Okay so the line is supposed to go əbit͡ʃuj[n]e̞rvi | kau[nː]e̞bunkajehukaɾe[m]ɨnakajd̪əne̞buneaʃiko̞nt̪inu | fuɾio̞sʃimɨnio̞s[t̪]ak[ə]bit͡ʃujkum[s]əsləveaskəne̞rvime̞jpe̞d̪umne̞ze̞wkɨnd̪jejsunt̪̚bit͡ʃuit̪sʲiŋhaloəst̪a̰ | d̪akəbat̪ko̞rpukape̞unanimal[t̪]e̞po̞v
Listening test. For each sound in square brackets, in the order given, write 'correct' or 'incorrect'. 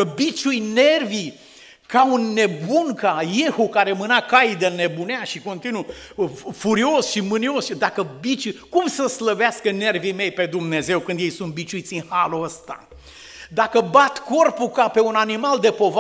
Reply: correct, correct, correct, incorrect, correct, correct, incorrect

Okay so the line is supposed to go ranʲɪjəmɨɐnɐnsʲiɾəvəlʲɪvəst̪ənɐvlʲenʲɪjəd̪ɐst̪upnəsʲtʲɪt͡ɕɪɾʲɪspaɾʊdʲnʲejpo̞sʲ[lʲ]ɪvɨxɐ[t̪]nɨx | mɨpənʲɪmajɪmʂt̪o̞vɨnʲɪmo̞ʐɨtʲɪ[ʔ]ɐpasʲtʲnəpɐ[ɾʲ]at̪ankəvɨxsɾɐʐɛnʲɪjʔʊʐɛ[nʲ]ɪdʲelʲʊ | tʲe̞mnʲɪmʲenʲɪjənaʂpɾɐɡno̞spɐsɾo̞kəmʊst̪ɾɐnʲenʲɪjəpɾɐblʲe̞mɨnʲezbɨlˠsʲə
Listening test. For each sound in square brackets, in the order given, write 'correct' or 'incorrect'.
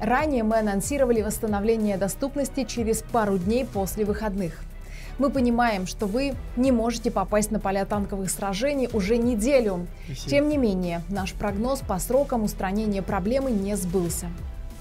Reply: correct, incorrect, incorrect, incorrect, correct

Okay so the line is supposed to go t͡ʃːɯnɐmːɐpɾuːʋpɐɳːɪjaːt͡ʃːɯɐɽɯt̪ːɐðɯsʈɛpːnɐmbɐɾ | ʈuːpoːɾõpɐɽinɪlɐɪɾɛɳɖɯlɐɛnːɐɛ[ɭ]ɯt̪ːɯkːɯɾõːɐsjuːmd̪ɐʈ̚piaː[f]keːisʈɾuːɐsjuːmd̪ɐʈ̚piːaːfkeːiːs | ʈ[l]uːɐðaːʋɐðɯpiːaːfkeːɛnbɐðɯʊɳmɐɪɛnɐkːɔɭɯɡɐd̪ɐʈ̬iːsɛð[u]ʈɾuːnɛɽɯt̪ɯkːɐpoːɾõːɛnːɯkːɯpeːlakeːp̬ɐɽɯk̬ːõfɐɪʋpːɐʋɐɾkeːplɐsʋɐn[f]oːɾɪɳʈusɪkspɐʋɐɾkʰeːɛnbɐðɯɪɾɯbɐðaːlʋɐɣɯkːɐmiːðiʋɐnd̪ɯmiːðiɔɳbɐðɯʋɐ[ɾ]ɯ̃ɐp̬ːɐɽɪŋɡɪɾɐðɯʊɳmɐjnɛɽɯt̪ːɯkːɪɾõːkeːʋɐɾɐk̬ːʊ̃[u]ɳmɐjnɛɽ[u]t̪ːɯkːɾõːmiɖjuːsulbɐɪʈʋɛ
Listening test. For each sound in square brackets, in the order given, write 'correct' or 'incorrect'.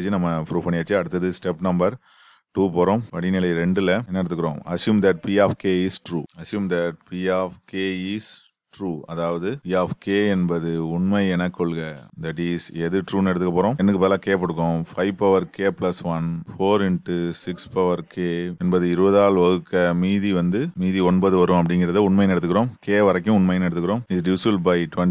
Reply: incorrect, correct, incorrect, incorrect, correct, correct, incorrect, incorrect

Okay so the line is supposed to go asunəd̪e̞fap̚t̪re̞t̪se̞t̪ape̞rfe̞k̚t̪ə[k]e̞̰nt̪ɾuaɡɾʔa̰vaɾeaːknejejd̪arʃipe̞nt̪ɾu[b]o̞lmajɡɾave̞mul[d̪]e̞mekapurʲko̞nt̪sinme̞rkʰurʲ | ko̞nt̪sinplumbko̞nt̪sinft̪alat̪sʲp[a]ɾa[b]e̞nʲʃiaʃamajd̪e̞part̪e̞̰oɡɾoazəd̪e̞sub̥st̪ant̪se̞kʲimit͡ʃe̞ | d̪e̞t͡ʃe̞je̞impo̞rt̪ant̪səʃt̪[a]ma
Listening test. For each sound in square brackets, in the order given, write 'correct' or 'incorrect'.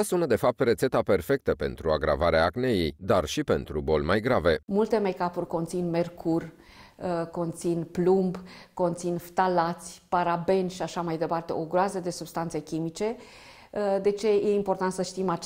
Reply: incorrect, correct, incorrect, correct, correct, incorrect

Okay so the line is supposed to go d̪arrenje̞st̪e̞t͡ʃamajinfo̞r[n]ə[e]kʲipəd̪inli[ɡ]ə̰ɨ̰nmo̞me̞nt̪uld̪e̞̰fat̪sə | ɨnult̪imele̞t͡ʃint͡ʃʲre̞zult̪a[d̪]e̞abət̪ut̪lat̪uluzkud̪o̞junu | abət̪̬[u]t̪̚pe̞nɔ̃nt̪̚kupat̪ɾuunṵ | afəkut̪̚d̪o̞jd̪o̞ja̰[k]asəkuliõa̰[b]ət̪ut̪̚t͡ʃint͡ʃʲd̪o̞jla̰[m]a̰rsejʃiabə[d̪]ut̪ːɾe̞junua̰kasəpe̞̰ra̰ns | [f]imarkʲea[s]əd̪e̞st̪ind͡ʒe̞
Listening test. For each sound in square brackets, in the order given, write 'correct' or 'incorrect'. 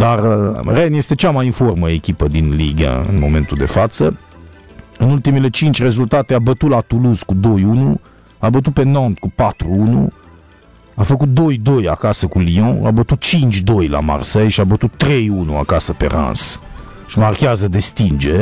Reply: incorrect, correct, correct, incorrect, correct, correct, correct, correct, incorrect, incorrect, incorrect

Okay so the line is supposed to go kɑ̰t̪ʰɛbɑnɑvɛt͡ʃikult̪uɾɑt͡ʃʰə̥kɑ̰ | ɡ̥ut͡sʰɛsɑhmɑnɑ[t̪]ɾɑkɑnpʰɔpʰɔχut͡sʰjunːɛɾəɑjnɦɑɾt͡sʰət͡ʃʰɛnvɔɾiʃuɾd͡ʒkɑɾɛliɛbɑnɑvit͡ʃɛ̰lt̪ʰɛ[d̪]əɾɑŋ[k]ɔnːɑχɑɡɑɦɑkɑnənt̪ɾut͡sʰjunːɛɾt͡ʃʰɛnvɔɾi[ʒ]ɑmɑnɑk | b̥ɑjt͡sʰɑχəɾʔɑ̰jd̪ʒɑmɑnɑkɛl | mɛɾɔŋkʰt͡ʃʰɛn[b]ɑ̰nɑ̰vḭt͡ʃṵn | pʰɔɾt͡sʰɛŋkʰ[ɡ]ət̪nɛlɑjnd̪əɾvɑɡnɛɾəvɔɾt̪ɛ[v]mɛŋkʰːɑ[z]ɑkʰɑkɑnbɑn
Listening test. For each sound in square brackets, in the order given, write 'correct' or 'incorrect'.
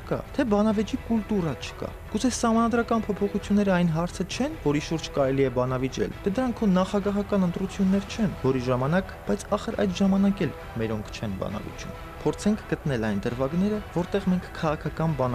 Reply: incorrect, correct, incorrect, correct, correct, correct, incorrect, incorrect

